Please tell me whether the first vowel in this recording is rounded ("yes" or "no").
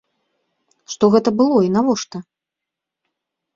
yes